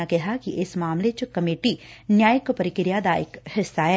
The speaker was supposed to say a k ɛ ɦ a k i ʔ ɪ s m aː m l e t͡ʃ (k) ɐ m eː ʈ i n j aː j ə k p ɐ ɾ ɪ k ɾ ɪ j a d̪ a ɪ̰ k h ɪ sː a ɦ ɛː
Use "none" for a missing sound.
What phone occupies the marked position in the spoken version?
k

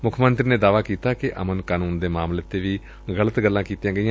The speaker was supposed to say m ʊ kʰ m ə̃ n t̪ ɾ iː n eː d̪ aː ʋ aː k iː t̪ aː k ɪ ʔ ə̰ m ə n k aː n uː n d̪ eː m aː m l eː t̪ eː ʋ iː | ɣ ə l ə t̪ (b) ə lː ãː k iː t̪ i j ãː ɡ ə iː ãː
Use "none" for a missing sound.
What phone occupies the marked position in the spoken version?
ɡ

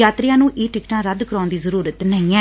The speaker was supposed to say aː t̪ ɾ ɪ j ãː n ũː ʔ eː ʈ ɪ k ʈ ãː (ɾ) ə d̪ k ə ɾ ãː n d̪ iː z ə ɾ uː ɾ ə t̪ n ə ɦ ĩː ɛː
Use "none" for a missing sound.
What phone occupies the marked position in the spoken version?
ɾ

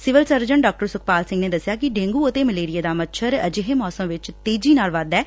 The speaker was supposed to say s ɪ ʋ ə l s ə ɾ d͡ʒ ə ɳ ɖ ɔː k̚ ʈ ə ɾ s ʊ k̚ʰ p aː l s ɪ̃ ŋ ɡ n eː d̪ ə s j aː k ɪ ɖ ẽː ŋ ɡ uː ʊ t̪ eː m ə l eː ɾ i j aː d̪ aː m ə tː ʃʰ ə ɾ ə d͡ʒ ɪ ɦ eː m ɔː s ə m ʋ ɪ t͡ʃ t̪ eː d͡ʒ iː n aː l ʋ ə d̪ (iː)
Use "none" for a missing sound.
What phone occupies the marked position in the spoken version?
ɛː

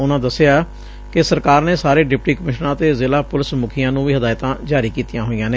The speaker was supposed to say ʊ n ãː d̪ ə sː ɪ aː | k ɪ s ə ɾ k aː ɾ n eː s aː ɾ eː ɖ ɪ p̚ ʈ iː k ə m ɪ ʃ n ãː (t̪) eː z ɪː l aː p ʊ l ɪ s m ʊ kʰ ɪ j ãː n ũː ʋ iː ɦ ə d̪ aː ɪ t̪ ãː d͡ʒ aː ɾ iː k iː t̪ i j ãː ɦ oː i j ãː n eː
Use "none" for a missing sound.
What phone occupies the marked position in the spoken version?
t̪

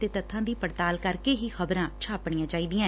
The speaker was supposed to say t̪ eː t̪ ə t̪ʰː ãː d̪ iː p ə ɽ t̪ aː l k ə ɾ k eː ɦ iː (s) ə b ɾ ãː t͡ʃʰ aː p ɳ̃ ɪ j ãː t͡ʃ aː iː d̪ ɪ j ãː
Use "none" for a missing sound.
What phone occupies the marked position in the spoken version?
x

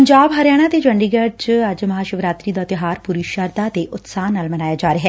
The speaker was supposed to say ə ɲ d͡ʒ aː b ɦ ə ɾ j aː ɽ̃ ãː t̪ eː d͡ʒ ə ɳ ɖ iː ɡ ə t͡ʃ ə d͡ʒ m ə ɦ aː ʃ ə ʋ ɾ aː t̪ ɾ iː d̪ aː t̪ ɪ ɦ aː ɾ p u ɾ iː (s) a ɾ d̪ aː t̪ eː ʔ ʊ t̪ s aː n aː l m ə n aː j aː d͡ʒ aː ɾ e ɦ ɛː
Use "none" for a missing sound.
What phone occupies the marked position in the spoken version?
ʃ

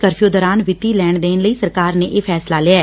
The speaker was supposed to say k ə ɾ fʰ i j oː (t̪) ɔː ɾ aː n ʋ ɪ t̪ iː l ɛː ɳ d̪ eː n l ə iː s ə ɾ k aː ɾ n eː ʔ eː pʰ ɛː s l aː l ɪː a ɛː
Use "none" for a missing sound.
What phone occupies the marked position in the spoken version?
d̪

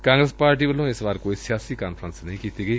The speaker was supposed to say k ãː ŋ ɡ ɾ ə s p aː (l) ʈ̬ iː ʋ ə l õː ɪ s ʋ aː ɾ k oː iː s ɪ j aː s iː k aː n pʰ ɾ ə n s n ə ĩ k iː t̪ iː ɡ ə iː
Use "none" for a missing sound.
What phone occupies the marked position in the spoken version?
ɾ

